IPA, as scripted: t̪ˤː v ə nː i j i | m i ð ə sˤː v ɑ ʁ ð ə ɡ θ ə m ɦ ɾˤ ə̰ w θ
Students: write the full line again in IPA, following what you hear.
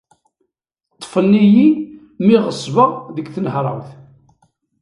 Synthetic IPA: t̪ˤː f ə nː i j i | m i ʁ ə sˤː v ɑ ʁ ð ə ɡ θ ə n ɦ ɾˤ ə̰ w θ

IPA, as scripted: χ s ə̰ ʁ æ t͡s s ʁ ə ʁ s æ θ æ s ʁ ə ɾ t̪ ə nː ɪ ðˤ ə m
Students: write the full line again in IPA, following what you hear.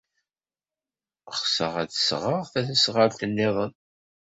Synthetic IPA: χ s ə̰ ʁ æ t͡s s ʁ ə ʁ θ æ θ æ s ʁ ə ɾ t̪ ə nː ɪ ðˤ ə n

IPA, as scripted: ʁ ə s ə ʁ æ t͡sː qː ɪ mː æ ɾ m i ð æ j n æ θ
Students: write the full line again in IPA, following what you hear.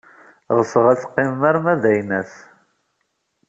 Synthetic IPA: ʁ ə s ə ʁ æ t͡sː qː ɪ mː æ ɾ m æ ð æ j n æ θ

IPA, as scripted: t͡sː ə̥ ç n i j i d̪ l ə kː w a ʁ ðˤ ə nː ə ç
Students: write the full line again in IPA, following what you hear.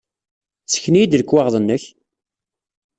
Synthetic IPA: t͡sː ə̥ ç n i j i d̪ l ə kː w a ʁ ðˤ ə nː ə ç

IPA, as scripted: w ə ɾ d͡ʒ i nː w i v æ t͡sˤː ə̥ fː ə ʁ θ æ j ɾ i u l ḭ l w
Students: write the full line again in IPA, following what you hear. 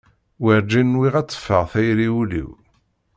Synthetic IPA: w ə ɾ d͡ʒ i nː w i ʁ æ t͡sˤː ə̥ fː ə ʁ θ æ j ɾ i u l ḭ w

